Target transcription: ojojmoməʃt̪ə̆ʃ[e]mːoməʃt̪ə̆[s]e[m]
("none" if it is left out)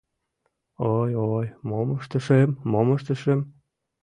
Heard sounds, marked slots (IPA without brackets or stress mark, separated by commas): e, ʃ, m